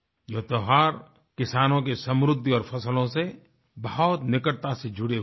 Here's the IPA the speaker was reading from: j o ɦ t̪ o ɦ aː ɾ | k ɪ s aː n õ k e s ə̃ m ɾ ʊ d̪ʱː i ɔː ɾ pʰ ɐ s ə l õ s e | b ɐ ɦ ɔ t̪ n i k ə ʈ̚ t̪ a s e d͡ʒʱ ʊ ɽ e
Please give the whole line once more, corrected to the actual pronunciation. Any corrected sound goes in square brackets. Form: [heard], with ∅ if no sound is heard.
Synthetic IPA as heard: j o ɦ t̪ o ɦ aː ɾ | k ɪ s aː n õ k e s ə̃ m ɾ ʊ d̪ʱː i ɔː ɾ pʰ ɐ s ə l õ s e | b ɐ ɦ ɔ t̪ n [ɪ] k ə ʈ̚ t̪ a s e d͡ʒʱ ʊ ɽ e